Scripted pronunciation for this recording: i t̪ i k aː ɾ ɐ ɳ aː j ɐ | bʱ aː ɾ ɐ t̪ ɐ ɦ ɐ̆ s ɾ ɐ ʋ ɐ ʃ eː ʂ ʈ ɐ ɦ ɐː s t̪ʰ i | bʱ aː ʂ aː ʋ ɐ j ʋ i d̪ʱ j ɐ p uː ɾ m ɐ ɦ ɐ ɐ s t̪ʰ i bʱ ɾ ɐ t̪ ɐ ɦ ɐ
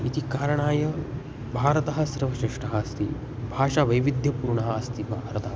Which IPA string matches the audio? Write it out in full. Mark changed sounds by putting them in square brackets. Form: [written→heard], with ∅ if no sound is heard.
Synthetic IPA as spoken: i t̪ i k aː ɾ ɐ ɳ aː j ɐ | bʱ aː ɾ ɐ t̪ ɐ ɦ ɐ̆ s ɾ ɐ ʋ ɐ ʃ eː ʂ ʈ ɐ ɦ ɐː s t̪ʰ i | bʱ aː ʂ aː ʋ ɐ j ʋ i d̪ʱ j ɐ p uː ɾ [m→ɳ] ɐ ɦ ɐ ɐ s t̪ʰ i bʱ ɾ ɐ t̪ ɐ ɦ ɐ